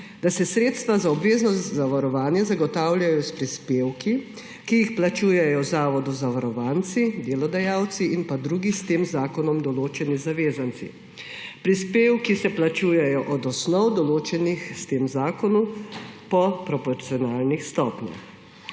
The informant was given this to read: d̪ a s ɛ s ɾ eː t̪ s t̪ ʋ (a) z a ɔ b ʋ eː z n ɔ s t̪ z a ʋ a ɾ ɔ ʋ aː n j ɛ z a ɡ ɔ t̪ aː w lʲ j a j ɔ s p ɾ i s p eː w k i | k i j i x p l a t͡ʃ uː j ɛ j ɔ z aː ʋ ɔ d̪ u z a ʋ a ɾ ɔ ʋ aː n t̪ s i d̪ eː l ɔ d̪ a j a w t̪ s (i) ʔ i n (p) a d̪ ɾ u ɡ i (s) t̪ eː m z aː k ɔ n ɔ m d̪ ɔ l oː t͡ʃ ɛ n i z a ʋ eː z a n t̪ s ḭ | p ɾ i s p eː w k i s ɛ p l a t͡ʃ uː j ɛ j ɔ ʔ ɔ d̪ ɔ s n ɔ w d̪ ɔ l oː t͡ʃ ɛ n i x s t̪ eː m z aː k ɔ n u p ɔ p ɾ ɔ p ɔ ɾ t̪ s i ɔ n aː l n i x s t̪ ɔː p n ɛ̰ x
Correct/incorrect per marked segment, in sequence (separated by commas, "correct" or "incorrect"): correct, correct, correct, correct